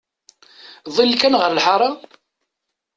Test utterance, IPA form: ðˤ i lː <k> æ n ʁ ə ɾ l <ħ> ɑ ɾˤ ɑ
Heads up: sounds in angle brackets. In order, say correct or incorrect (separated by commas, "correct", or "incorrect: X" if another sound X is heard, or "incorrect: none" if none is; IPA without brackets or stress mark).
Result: correct, correct